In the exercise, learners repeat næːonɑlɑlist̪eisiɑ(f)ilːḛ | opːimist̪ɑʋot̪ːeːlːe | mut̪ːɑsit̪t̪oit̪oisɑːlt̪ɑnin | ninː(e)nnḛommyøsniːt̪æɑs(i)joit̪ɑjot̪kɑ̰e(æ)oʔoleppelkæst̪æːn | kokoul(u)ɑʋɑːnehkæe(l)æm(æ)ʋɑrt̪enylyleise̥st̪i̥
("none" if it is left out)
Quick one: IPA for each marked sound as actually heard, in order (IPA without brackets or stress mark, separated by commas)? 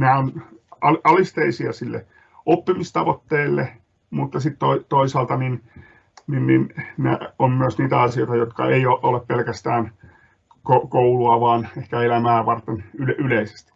s, i, i, i, u, l, æː